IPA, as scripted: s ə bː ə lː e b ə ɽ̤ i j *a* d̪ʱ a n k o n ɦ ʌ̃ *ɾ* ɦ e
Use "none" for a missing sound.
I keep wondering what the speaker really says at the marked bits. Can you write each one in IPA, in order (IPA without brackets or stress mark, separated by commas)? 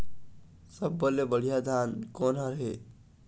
a, ɾ